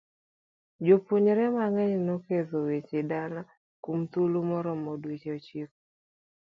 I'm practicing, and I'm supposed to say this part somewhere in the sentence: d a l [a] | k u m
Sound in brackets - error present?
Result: no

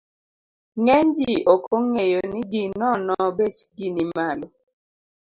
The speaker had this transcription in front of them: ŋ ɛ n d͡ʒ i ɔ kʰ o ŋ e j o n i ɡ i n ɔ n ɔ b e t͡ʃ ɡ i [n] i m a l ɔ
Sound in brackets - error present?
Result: no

